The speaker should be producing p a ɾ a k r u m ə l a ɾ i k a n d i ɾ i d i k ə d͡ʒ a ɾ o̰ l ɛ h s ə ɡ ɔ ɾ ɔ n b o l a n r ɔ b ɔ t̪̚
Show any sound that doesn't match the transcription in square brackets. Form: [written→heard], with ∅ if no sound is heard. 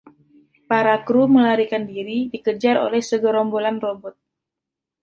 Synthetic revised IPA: p a ɾ a k [r→ɾ] u m ə l a ɾ i k a n d i ɾ i d i k ə d͡ʒ a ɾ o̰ l ɛ h s ə ɡ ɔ ɾ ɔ [n→m] b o l a n r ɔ b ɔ t̪̚